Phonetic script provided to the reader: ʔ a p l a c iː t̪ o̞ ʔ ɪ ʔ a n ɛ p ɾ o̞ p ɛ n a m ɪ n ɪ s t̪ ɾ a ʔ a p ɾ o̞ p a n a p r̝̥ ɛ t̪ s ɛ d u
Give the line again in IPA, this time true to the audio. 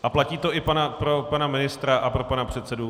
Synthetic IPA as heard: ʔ a p l a c iː t̪ o̞ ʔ ɪ p a n a p ɾ o̞ p a n a m ɪ n ɪ s t̪ ɾ a ʔ a p ɾ o̞ p a n a p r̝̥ ɛ t̪ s ɛ d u